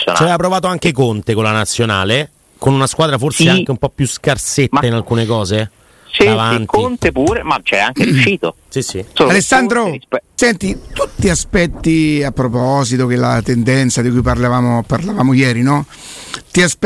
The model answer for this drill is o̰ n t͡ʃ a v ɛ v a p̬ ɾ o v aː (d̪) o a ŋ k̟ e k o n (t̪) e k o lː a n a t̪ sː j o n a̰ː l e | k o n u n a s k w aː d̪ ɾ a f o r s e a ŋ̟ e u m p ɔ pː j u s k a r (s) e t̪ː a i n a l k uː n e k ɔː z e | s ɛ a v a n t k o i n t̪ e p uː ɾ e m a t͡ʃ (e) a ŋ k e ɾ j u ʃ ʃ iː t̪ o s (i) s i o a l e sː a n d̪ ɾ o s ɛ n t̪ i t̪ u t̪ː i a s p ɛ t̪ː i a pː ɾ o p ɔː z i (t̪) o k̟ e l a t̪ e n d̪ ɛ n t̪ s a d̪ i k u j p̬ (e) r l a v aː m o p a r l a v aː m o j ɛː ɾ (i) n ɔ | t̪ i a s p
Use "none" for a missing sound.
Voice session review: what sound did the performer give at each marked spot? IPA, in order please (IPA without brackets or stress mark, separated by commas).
t̪, t̪, s, ɛ, i, t̪, a, i